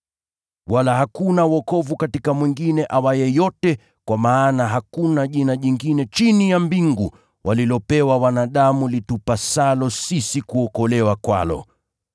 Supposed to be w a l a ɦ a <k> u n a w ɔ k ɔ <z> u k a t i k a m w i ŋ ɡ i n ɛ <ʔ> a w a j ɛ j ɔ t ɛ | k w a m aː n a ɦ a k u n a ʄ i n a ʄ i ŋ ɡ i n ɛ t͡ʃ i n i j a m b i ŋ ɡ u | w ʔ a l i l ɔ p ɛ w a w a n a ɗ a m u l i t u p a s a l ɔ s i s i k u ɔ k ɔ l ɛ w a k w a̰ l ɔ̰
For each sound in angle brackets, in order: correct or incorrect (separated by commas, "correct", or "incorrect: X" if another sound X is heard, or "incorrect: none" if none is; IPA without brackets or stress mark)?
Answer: correct, incorrect: v, correct